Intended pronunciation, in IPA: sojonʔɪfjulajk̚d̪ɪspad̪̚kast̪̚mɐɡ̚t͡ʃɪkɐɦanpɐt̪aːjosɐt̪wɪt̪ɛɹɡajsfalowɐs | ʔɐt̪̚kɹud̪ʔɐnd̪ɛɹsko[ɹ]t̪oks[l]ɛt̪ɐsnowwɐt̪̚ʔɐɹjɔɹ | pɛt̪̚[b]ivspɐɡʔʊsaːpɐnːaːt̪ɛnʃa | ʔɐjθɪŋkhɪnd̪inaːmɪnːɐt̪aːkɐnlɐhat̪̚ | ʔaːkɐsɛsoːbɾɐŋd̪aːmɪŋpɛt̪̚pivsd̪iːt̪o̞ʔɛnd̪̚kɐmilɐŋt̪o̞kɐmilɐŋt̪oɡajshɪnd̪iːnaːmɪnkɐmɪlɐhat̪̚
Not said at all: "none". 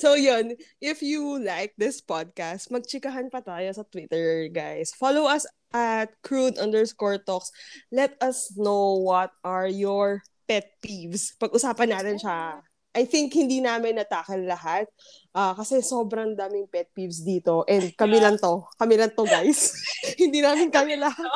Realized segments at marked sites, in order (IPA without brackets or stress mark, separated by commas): ɹ, l, p